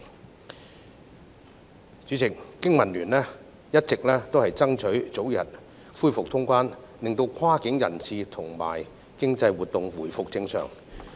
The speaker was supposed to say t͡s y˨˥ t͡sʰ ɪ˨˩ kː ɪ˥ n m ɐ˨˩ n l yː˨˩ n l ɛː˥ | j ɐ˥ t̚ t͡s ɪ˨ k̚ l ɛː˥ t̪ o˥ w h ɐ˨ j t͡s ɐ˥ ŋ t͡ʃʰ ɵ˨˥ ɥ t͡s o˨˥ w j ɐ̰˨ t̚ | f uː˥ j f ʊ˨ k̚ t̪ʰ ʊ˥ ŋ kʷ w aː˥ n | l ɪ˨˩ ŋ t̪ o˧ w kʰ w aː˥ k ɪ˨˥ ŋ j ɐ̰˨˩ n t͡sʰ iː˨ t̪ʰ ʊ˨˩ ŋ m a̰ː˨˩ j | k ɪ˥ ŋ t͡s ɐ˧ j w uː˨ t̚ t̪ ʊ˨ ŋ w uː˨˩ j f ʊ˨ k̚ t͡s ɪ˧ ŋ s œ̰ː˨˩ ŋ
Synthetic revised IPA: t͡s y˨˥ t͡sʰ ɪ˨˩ kː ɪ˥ ŋ m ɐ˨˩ n l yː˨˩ n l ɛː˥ | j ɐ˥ t̚ t͡s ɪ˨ k̚ l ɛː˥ t̪ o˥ w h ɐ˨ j t͡s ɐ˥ ŋ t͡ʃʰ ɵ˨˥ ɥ t͡s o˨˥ w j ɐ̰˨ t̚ | f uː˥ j f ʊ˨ k̚ t̪ʰ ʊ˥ ŋ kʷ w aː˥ n | l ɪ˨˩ ŋ t̪ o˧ w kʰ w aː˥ k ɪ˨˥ ŋ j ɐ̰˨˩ n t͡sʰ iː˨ t̪ʰ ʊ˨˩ ŋ m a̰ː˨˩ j | k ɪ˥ ŋ t͡s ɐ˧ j w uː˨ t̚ t̪ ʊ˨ ŋ w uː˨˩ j f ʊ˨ k̚ t͡s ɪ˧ ŋ s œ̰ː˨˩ ŋ